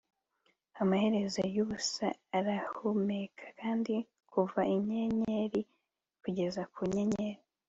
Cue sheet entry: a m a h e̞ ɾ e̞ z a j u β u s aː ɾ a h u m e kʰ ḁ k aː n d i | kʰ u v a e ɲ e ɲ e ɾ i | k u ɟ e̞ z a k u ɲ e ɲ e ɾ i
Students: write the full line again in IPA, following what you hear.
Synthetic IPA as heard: a m a h e̞ ɾ e̞ z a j u β u s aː ɾ a h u m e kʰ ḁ k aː n d i | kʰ u v a i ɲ e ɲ e ɾ i | k u ɟ e̞ z a k u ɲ e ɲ e ɾ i